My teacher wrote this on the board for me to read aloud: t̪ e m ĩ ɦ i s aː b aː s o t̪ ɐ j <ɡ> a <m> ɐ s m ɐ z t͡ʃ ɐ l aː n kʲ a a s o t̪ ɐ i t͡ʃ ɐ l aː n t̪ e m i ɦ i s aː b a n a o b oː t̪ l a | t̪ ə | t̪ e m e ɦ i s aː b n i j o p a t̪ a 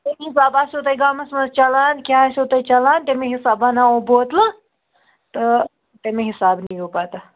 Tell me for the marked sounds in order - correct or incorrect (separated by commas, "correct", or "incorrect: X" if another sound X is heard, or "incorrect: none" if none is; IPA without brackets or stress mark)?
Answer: correct, correct